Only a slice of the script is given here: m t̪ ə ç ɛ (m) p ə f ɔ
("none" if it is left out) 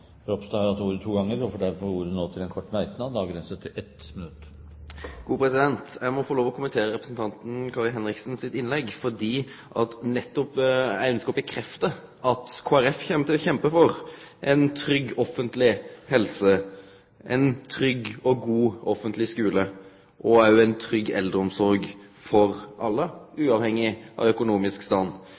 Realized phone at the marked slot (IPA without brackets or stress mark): m